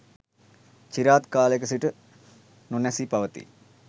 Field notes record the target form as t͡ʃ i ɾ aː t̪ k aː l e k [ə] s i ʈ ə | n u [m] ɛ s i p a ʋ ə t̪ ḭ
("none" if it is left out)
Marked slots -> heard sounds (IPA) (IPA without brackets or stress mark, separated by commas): ə, n